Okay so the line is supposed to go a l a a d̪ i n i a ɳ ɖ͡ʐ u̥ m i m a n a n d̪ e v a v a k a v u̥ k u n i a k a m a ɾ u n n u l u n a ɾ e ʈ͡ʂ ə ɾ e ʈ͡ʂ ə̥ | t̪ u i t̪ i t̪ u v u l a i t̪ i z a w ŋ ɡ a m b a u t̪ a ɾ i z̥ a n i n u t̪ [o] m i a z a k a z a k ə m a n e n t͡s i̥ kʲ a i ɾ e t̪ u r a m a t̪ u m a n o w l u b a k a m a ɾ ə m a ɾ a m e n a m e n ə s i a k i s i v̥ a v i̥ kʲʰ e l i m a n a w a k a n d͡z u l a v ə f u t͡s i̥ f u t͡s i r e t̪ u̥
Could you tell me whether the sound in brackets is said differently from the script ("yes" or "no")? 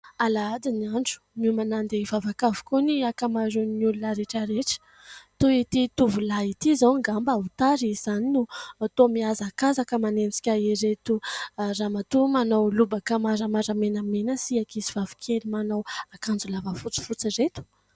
no